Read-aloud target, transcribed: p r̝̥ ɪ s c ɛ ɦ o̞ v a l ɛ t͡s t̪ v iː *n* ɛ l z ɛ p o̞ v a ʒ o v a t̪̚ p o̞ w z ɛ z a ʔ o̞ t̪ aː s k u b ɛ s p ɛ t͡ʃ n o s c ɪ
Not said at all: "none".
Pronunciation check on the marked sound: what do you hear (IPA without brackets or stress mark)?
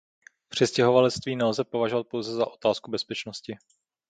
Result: n